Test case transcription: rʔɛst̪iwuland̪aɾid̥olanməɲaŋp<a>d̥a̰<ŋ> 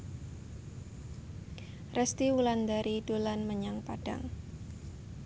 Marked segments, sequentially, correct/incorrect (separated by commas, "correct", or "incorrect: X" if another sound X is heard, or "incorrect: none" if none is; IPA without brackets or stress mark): correct, correct